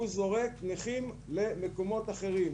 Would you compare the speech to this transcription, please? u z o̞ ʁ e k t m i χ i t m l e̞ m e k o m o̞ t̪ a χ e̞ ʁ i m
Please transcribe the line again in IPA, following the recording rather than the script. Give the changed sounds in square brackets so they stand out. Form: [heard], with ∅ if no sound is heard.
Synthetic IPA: u z o̞ ʁ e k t [n] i χ i [∅] m l e̞ m e k o m o̞ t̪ a χ e̞ ʁ i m